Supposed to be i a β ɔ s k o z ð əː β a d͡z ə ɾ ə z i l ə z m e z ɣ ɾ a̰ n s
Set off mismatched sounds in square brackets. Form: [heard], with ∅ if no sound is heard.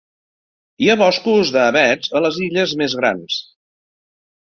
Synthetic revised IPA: i a β ɔ s k [u] z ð əː β [ɛ] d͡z ə [l] ə z i [ʎ] ə z m e z ɣ ɾ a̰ n s